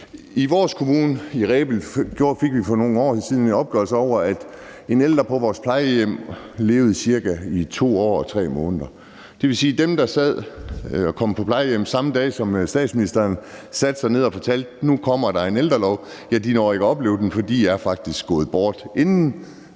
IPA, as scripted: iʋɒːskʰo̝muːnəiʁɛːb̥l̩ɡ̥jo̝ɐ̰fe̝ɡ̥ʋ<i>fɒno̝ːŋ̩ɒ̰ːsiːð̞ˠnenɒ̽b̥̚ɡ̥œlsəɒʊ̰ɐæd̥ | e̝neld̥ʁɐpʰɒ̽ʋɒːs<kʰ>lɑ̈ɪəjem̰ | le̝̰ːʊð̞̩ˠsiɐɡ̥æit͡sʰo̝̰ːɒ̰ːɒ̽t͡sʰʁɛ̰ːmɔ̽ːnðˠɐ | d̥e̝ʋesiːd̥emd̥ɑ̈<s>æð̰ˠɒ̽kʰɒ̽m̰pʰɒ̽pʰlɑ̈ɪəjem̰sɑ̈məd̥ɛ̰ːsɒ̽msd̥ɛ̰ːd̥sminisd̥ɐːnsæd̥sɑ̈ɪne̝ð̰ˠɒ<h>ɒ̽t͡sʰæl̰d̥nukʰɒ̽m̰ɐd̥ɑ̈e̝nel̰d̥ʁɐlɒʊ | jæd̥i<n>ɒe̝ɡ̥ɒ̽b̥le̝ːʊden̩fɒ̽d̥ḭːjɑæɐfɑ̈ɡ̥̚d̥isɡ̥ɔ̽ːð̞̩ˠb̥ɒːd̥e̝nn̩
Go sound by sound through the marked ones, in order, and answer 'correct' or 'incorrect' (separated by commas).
correct, incorrect, correct, incorrect, correct